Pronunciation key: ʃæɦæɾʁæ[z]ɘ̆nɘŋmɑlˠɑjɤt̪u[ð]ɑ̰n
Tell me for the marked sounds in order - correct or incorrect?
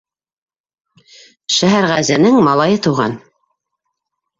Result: correct, incorrect: ʁ

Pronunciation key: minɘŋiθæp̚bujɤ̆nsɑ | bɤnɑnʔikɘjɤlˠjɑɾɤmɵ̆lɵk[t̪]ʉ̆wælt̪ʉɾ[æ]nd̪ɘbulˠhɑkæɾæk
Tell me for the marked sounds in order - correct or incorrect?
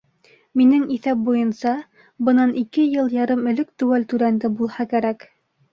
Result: correct, correct

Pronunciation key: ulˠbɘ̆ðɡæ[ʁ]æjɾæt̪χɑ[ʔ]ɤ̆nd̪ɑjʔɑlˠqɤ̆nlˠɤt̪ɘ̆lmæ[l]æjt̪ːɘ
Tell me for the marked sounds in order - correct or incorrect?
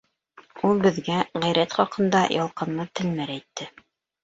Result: correct, incorrect: q, incorrect: ɾ

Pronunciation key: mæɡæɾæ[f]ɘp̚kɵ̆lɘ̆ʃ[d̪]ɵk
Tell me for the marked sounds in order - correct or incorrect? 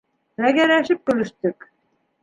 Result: incorrect: ʃ, incorrect: t̪

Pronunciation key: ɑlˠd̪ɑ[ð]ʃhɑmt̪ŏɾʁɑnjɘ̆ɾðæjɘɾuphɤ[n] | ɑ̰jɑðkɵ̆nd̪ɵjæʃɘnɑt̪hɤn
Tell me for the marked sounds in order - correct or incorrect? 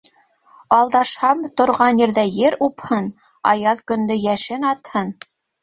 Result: incorrect: none, correct

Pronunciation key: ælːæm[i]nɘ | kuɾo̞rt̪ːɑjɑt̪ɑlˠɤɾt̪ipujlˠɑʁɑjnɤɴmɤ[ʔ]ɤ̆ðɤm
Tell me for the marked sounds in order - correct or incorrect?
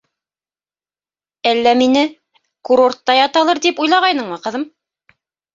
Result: correct, incorrect: q

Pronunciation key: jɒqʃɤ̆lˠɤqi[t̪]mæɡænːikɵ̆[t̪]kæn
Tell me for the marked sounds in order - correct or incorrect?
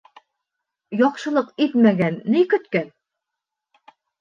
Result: correct, correct

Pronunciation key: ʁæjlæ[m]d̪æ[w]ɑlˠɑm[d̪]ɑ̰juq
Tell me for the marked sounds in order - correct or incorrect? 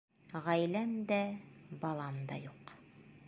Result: correct, incorrect: b, correct

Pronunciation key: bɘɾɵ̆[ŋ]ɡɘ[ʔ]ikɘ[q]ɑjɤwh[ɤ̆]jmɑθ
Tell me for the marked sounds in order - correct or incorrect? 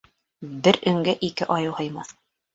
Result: correct, correct, incorrect: ʔ, correct

